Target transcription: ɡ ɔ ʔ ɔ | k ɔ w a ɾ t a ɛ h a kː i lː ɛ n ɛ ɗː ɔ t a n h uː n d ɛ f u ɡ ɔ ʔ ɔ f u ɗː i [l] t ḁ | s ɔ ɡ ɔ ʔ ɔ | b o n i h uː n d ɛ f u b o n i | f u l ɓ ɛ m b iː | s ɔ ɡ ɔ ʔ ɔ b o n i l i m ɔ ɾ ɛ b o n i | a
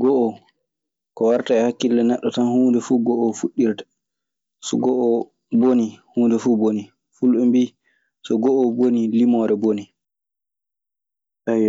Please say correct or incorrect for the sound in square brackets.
incorrect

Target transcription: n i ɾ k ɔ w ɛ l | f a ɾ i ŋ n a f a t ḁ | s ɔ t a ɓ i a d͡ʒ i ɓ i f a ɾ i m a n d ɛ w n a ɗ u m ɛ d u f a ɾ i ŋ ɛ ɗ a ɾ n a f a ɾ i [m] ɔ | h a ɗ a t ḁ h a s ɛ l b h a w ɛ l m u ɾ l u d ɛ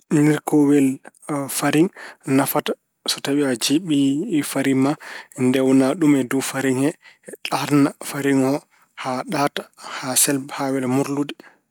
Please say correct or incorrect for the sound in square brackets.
incorrect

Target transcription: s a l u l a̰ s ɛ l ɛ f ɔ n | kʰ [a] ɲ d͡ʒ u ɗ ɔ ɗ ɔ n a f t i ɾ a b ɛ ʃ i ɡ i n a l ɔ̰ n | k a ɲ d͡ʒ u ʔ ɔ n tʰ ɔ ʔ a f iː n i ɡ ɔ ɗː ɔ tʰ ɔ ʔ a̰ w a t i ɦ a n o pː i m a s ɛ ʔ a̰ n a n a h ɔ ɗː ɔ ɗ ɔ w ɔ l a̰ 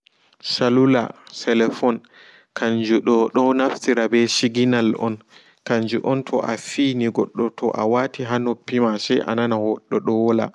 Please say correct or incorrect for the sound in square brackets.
correct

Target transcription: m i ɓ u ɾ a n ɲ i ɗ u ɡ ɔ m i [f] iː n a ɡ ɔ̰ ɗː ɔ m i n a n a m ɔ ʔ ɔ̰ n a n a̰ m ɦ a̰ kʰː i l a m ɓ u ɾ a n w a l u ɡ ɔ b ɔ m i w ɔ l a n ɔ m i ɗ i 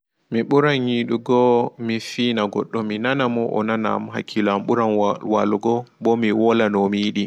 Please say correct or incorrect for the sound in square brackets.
correct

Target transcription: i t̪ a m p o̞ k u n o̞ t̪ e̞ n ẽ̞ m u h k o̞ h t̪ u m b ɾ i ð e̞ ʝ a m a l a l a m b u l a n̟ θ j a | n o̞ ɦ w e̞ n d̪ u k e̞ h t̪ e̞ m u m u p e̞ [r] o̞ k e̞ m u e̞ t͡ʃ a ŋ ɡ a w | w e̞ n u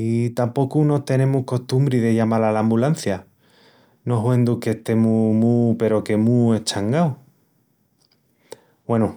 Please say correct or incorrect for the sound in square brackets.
incorrect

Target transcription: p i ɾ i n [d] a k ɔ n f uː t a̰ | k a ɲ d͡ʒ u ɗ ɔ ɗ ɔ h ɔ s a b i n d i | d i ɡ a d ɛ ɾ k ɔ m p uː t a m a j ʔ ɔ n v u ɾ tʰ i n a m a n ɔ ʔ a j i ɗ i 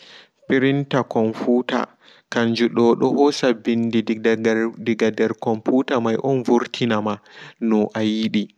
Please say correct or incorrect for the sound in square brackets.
incorrect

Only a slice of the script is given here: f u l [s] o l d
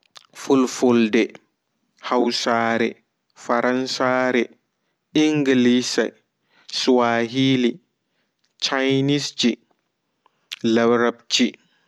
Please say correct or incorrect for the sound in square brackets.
incorrect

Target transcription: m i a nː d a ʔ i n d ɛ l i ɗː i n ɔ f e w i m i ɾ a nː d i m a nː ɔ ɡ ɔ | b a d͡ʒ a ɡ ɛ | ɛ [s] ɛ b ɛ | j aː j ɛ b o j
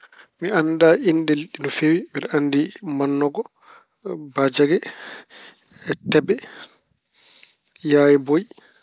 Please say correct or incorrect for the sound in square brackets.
incorrect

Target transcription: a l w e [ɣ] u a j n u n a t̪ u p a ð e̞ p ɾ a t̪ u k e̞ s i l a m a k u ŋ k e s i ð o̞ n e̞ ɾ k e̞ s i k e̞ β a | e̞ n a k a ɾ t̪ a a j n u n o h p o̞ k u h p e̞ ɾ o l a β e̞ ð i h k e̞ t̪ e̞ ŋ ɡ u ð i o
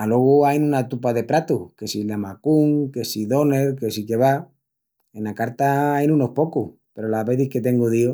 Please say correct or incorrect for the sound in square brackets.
correct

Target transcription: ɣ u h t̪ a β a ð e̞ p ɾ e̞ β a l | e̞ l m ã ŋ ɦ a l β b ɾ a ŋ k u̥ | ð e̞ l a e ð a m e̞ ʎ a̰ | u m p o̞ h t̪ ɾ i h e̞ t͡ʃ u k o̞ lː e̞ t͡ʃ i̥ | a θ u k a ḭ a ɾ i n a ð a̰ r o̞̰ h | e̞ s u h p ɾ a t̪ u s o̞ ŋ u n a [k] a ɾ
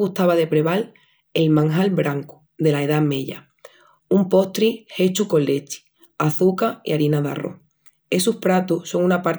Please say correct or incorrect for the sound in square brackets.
incorrect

